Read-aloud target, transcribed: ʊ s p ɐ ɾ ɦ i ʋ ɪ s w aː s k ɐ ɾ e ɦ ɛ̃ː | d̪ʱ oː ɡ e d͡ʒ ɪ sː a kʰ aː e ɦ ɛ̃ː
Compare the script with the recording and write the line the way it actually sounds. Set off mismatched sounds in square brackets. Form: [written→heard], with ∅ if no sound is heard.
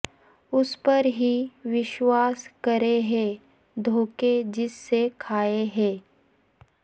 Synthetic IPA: ʊ s p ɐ ɾ ɦ i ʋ ɪ [s→ʃ] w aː s k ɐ ɾ e ɦ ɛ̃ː | d̪ʱ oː [ɡ→k] e d͡ʒ ɪ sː [a→e] kʰ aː e ɦ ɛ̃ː